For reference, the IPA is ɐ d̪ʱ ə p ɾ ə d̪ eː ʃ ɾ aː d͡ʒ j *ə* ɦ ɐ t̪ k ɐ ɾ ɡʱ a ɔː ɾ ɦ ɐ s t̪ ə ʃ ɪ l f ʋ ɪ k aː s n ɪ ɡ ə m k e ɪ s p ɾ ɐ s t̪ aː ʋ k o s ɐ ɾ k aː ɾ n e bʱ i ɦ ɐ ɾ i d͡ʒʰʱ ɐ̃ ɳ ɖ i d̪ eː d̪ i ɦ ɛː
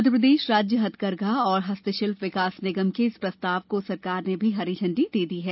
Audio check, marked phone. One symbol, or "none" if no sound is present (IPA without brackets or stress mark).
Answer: ə